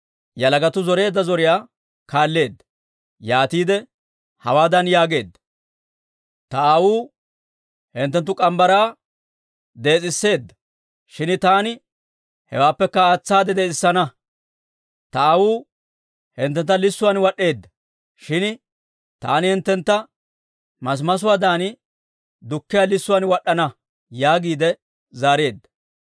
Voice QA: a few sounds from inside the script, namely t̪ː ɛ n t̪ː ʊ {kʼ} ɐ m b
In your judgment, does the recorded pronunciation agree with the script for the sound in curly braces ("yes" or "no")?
yes